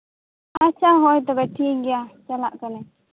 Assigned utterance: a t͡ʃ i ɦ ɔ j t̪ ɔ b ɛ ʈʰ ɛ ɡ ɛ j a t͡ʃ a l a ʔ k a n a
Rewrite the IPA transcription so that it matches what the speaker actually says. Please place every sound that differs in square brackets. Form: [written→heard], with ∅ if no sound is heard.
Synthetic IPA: a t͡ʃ [i→a] ɦ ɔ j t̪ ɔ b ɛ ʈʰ [ɛ→i] ɡ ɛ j a t͡ʃ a l a ʔ k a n [a→ɛ]